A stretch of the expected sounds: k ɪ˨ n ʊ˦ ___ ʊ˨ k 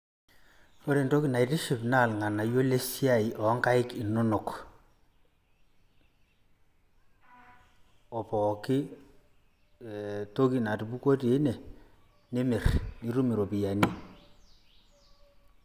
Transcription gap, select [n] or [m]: n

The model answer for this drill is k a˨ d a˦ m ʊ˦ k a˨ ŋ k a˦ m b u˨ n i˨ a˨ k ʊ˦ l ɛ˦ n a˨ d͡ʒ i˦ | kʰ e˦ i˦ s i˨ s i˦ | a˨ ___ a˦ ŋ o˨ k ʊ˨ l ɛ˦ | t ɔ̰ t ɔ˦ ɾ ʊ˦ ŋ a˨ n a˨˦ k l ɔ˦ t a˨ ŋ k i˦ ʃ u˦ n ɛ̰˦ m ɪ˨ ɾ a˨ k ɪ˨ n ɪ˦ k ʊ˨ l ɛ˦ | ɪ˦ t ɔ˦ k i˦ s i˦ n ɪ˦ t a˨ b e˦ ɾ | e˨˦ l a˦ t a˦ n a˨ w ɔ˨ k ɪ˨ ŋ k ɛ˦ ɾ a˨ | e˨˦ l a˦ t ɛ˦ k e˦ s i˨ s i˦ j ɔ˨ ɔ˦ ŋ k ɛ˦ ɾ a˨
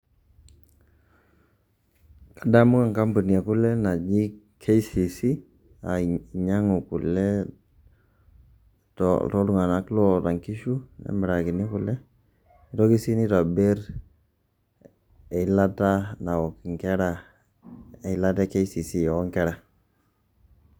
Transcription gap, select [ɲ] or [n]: ɲ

